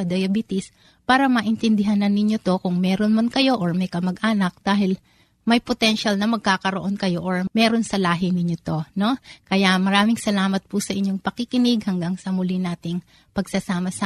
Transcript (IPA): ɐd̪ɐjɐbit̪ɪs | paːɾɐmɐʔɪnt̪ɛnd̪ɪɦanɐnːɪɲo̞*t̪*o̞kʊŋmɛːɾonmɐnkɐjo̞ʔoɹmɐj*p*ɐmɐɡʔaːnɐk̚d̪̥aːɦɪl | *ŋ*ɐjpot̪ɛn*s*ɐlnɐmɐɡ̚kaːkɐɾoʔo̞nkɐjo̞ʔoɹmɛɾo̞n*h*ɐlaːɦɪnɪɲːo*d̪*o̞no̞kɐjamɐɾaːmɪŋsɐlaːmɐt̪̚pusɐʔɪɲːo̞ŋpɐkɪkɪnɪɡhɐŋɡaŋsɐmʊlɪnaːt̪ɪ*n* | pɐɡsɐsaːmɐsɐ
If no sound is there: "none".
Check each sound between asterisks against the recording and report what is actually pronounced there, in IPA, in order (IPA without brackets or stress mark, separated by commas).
t̪, k, m, ʃ, s, t̪, ŋ